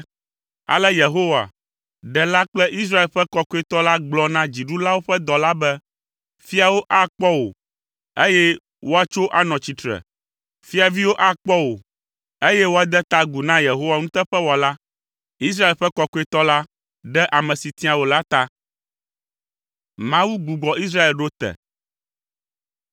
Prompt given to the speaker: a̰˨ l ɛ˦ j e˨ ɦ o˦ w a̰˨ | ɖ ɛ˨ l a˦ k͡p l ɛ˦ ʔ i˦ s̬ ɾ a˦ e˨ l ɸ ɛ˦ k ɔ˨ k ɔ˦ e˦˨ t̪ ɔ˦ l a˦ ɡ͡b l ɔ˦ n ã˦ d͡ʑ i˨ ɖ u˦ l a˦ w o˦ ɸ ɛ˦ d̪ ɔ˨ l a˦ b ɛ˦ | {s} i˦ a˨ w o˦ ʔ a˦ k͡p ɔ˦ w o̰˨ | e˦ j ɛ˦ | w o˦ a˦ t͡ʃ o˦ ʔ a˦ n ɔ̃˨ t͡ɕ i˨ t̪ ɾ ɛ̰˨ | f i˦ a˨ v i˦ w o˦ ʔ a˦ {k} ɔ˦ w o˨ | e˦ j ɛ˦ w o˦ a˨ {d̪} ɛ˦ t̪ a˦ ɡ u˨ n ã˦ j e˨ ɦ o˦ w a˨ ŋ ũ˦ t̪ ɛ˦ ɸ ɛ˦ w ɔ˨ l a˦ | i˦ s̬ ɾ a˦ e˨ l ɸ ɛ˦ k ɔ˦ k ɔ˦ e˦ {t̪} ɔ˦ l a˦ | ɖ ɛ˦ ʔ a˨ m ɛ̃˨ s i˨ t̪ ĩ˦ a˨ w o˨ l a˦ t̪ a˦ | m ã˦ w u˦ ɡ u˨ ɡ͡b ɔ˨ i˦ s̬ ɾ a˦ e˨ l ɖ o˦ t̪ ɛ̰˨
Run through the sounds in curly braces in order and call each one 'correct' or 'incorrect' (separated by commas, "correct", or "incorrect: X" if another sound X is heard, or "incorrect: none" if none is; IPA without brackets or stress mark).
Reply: incorrect: f, incorrect: k͡p, correct, correct